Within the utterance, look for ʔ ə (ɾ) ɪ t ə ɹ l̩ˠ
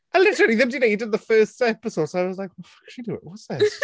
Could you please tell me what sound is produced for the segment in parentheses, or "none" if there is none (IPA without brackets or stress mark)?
l